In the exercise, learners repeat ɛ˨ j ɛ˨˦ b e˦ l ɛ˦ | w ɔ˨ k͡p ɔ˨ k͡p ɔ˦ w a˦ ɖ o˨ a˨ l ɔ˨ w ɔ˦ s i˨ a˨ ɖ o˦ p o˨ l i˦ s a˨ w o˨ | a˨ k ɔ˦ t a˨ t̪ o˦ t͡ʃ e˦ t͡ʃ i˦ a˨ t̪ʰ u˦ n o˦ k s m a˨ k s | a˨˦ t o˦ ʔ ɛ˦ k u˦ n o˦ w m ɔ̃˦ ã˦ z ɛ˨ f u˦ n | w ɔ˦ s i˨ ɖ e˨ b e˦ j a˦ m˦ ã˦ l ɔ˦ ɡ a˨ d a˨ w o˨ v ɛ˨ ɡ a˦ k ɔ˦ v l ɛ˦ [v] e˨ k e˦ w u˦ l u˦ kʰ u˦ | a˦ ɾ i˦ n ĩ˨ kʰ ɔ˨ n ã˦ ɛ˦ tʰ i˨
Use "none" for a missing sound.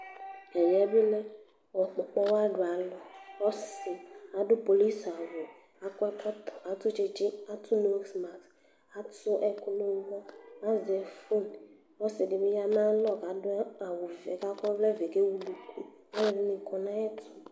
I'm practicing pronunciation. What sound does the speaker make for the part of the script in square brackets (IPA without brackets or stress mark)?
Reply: v